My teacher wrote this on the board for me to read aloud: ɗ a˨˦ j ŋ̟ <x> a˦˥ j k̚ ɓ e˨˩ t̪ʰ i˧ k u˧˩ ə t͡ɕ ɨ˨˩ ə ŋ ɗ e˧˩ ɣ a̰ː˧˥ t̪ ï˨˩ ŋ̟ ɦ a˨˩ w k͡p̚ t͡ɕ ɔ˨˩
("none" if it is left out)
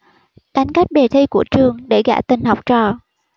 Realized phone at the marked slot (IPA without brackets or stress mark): k